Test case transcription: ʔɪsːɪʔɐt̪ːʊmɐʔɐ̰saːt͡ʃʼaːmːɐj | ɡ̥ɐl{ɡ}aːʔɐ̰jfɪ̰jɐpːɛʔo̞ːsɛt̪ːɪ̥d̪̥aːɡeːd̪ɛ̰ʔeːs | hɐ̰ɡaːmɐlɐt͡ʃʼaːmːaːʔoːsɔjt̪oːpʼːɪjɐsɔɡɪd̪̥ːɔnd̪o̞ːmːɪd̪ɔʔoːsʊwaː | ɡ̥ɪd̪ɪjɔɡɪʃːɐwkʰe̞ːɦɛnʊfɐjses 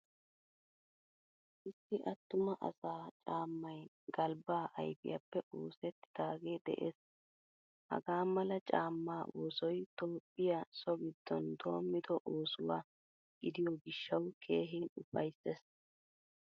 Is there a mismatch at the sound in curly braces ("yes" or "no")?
yes